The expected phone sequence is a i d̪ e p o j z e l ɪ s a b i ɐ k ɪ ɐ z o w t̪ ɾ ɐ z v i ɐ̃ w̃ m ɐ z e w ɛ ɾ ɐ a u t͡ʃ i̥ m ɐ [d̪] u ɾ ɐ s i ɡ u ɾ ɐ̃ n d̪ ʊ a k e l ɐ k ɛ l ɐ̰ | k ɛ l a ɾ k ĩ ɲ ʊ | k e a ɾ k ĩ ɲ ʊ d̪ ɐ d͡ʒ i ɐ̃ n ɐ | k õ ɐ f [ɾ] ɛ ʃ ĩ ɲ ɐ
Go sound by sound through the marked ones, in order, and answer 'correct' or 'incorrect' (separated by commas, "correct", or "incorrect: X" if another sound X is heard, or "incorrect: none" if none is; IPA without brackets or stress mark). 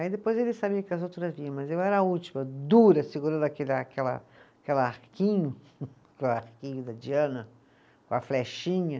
correct, incorrect: l